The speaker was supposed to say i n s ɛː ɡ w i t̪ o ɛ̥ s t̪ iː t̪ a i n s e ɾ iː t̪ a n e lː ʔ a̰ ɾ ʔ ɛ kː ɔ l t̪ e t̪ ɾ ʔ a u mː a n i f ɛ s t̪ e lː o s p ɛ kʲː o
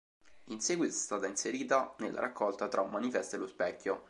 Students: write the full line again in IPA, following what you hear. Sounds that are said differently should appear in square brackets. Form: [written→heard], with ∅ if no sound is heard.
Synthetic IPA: i n s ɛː ɡ w i t̪ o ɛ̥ s t̪ [iː→aː] t̪ a i n s e ɾ iː t̪ a n e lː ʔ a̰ ɾ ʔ [ɛ→a] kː ɔ l t̪ [e→a] t̪ ɾ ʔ a u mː a n i f ɛ s t̪ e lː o s p ɛ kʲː o